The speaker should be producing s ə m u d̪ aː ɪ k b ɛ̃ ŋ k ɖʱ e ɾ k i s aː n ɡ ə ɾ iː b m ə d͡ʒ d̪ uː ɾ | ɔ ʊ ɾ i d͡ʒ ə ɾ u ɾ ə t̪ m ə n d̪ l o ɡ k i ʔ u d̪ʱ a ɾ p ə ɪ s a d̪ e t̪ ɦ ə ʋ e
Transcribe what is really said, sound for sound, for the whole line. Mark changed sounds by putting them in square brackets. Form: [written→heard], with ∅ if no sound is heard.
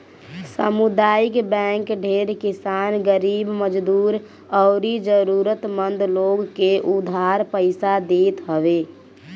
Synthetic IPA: s ə m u d̪ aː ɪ k b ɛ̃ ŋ k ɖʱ e ɾ k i s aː n ɡ ə ɾ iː b m ə d͡ʒ d̪ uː ɾ | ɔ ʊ ɾ i d͡ʒ ə ɾ u ɾ ə t̪ m ə n d̪ l o ɡ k [i→e] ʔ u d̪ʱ a ɾ p ə ɪ s a d̪ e t̪ ɦ ə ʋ e